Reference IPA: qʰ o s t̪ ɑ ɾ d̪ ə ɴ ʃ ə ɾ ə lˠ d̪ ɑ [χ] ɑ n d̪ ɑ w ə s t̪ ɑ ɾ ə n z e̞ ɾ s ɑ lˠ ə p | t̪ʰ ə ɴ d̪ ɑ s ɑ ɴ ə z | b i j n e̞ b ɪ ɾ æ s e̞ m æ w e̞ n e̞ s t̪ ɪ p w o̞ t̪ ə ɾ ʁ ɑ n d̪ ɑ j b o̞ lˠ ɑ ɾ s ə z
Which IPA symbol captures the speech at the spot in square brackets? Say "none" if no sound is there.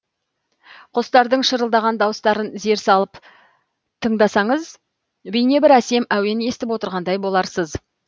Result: ʁ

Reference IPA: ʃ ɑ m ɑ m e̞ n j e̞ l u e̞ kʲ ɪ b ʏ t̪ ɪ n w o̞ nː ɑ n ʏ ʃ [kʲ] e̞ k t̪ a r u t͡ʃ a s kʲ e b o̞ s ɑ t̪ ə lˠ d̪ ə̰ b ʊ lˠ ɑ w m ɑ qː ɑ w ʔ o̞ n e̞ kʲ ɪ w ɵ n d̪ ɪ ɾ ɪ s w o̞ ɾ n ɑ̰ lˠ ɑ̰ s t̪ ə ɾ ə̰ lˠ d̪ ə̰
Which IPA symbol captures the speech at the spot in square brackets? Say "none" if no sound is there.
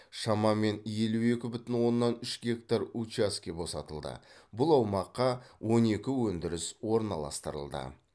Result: ɡʲ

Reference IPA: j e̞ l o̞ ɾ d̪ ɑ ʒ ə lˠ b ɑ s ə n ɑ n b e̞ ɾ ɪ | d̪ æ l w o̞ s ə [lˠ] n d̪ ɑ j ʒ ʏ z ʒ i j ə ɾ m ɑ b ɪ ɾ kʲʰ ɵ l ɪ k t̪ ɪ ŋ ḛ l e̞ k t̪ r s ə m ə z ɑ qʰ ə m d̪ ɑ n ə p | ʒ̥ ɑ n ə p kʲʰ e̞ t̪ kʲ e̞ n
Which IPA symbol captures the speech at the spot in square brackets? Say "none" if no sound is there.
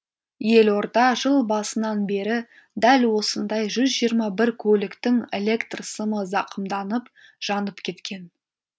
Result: none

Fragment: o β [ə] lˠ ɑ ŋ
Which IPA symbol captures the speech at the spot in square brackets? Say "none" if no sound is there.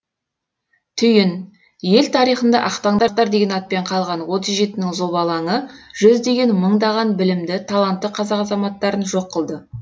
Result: ɑ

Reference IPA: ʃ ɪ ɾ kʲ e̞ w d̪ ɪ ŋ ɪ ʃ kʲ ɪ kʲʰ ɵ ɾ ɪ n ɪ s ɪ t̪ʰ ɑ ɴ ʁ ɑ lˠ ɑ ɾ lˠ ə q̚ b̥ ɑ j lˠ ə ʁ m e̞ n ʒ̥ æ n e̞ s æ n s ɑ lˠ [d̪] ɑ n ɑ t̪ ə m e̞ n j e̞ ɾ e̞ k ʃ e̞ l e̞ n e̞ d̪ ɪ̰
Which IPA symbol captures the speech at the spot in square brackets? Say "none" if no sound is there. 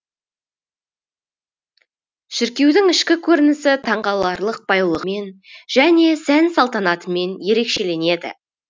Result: t̪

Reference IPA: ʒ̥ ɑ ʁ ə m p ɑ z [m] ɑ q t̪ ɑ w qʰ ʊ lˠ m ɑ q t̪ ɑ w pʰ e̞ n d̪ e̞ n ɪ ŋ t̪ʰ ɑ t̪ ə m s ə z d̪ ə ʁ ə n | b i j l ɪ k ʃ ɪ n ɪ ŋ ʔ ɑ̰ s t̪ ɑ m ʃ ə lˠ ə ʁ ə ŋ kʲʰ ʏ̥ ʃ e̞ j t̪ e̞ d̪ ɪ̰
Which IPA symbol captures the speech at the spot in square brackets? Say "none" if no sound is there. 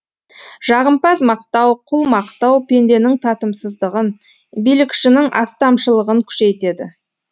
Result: m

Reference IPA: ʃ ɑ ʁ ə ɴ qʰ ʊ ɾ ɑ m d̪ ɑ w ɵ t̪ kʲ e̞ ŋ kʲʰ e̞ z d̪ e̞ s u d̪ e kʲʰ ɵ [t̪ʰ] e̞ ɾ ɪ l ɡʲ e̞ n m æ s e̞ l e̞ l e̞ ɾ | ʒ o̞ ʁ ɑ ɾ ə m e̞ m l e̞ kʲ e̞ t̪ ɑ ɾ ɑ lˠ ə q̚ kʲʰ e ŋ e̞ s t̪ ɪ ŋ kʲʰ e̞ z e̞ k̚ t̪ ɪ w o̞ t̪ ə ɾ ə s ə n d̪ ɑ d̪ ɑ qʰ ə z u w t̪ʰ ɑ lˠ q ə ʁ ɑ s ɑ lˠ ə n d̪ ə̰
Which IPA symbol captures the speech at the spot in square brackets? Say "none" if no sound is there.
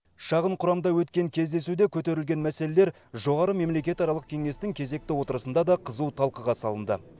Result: t̪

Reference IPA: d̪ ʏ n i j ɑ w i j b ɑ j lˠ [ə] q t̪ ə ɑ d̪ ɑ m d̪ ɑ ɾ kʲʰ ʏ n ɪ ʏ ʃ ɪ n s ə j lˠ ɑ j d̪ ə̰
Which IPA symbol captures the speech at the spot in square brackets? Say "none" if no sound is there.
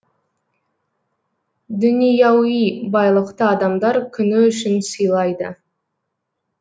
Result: ə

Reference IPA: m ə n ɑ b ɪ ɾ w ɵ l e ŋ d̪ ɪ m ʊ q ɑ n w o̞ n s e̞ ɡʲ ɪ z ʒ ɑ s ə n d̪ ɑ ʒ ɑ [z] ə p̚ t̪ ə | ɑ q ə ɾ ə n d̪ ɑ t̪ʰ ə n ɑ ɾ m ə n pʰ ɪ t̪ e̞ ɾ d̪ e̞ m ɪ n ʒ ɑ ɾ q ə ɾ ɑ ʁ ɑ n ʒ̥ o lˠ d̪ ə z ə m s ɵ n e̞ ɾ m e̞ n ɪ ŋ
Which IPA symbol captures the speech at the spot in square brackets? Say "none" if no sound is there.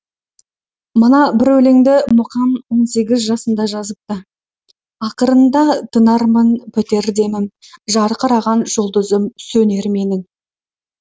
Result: z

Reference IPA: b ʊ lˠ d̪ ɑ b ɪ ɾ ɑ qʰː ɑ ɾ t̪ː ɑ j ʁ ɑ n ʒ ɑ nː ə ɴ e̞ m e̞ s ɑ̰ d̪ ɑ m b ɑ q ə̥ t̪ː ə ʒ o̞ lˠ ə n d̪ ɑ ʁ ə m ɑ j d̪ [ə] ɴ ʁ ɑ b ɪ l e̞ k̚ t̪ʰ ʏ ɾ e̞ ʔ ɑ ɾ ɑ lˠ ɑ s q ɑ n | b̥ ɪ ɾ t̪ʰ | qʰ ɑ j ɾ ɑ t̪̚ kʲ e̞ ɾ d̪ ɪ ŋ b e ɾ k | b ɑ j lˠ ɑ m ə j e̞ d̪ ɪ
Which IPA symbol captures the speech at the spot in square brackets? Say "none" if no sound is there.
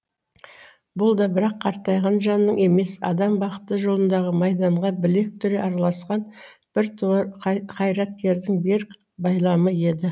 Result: ɑ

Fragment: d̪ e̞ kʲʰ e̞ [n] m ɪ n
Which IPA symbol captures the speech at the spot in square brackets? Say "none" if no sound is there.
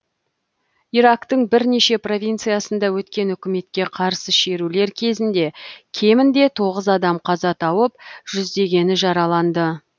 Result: none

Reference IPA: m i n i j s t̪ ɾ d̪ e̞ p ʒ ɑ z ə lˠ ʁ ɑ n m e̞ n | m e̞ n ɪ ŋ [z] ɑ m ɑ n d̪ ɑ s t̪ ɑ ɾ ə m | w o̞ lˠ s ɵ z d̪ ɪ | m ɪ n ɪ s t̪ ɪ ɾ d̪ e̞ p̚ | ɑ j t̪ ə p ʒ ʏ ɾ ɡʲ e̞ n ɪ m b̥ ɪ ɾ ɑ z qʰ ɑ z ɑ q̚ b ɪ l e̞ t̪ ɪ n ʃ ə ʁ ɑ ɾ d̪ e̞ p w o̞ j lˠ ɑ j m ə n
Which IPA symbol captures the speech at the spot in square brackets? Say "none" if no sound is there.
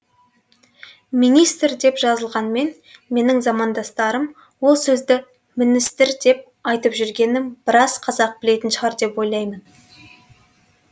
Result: z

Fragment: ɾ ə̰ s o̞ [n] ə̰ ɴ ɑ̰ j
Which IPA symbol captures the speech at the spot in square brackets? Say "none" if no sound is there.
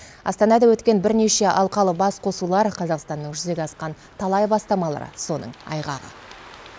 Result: n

